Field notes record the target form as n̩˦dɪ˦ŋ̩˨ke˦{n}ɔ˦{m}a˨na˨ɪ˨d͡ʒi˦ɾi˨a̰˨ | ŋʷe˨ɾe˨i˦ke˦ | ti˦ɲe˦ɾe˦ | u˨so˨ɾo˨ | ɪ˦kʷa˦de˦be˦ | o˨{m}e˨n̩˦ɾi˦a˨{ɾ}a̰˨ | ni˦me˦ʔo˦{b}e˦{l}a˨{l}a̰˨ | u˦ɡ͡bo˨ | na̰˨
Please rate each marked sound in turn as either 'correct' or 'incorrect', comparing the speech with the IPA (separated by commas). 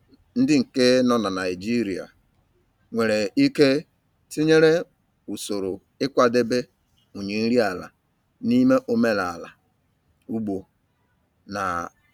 correct, incorrect, incorrect, incorrect, incorrect, correct, correct